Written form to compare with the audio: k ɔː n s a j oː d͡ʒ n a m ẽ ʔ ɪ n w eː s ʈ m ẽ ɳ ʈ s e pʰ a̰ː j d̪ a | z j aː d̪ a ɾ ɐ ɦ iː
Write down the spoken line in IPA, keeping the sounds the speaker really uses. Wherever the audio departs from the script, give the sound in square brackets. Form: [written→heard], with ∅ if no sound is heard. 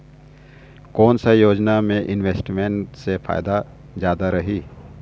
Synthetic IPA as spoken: k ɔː n s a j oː d͡ʒ n a m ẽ ʔ ɪ n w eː s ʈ m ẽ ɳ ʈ s e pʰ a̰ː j d̪ a | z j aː d̪ a ɾ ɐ ɦ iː